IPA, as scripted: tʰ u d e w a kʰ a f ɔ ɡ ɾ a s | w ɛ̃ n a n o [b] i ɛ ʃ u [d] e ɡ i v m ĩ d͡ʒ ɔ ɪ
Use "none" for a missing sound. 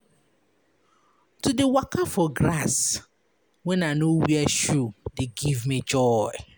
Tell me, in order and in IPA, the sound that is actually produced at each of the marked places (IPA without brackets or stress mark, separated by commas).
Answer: w, d